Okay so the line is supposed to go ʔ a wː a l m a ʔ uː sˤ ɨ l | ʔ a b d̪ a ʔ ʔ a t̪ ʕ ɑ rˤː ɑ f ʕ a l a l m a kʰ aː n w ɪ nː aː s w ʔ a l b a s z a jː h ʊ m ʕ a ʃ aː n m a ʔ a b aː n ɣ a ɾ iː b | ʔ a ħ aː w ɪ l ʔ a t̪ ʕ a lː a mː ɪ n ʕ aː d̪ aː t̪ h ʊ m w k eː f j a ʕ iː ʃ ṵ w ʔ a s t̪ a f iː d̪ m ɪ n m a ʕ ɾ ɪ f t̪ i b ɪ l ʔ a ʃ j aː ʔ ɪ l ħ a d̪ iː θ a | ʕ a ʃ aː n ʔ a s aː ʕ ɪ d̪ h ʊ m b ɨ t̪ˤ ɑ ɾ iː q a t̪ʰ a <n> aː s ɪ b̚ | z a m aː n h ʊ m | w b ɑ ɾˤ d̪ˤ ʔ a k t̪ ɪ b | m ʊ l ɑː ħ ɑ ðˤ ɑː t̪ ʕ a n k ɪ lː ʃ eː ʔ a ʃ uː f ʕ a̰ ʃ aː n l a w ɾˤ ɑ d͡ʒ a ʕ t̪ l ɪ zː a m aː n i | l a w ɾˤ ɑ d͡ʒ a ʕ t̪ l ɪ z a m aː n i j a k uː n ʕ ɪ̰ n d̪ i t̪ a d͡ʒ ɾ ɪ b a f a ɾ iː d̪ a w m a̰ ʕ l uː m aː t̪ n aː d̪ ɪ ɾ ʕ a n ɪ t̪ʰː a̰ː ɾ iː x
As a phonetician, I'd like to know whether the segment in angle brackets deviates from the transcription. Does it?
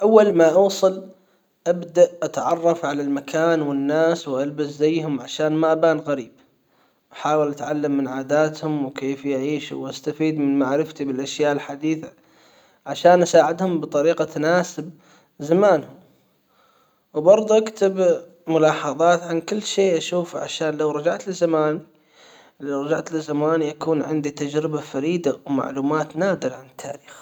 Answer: no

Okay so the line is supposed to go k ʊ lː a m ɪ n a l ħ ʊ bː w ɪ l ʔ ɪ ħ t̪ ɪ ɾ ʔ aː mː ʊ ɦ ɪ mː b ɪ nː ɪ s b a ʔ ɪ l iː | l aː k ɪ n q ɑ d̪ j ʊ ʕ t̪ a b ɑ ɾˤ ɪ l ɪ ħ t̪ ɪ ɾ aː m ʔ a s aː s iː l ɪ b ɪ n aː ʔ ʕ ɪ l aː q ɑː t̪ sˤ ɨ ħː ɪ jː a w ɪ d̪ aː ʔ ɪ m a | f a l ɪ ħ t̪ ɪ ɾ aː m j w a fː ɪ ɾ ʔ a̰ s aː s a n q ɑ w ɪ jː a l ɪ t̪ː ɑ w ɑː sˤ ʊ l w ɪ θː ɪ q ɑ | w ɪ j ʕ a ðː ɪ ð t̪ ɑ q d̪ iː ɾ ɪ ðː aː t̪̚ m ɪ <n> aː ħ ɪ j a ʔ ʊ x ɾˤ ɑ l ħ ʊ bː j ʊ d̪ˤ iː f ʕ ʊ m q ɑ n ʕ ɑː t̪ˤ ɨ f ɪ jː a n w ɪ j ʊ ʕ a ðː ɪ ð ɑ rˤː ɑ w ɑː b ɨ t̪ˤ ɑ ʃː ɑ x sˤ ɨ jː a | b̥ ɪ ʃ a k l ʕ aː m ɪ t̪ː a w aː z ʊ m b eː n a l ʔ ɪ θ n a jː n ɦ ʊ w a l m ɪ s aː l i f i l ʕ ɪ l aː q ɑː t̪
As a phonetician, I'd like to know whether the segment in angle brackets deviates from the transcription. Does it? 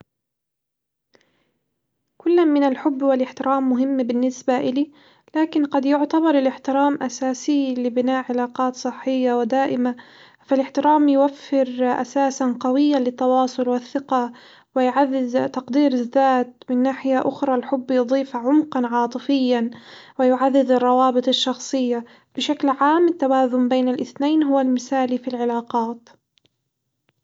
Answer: yes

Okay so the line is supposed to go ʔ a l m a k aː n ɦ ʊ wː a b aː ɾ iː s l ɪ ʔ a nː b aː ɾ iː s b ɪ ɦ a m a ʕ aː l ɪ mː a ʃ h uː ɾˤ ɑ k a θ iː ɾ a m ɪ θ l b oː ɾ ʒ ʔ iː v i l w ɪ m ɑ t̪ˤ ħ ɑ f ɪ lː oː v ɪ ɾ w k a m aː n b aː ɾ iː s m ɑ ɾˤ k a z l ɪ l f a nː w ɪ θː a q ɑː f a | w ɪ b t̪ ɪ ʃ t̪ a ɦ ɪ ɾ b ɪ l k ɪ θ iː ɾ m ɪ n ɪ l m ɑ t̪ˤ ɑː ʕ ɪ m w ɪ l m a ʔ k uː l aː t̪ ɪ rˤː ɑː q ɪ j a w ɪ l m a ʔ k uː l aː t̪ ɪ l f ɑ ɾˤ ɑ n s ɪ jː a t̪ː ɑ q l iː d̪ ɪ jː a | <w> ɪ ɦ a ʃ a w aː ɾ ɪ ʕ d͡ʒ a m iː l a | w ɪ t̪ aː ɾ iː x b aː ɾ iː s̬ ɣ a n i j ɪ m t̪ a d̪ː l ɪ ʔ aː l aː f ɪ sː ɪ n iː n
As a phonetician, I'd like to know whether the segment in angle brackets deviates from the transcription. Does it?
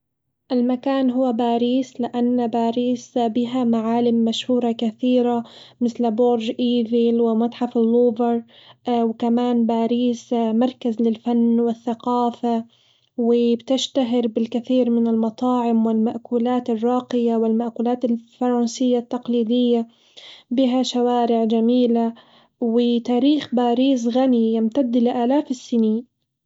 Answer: yes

